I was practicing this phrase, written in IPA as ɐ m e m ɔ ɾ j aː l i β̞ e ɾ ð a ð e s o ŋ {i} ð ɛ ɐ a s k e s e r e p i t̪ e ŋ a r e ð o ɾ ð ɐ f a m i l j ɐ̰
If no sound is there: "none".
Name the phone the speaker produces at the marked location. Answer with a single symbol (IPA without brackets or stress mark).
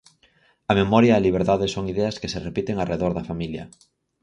i